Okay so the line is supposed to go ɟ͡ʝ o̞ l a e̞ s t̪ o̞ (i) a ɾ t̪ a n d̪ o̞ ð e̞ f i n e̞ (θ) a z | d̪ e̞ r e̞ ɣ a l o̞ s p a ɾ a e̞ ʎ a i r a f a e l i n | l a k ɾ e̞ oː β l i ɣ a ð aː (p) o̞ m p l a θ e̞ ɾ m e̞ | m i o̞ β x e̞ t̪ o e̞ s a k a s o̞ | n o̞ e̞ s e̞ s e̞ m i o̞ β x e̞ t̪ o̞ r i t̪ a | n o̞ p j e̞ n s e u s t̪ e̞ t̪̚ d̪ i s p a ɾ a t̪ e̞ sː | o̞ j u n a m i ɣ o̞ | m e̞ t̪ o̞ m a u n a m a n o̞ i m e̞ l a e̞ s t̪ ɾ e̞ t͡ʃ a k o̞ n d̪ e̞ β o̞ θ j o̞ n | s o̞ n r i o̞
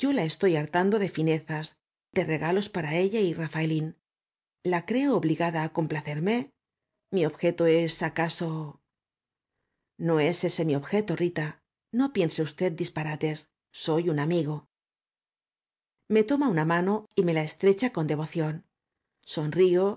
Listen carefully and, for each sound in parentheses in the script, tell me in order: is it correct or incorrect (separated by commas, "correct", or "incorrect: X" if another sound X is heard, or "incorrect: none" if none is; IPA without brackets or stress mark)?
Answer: incorrect: j, correct, incorrect: k